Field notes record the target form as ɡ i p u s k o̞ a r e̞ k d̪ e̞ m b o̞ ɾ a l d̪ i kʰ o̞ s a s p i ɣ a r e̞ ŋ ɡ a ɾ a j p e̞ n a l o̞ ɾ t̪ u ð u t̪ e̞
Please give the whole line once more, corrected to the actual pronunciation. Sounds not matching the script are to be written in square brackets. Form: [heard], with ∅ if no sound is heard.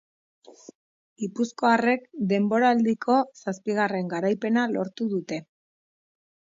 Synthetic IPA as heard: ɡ i p u s k o̞ a r e̞ k d̪ e̞ m b o̞ ɾ a l d̪ i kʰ o̞ s a s p i ɣ a r e̞ ŋ ɡ a ɾ a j p e̞ n a l o̞ ɾ t̪ u ð u t̪ e̞